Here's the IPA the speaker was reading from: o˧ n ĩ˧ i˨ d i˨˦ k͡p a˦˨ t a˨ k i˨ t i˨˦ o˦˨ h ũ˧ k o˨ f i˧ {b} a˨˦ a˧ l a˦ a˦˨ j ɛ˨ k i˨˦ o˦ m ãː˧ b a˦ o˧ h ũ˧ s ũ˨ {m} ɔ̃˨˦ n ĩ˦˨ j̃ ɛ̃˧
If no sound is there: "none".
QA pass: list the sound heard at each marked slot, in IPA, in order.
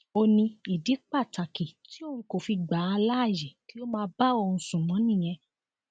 ɡ͡b, m

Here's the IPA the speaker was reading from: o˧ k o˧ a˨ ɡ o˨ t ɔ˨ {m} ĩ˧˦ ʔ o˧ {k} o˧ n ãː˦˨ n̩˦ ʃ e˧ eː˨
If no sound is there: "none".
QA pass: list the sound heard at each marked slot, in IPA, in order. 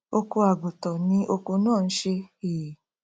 n, k

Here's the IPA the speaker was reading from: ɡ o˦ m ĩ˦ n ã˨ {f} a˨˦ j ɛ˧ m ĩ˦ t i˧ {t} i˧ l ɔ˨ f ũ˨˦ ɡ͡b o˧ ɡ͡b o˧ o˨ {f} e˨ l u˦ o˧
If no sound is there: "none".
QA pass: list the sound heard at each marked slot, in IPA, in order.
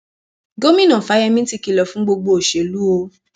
f, k, ʃ

